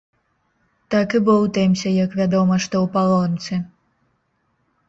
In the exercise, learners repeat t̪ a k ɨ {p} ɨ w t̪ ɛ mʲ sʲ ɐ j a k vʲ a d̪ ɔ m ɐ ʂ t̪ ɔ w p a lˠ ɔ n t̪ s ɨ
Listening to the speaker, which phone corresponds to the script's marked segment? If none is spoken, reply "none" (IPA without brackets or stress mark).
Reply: b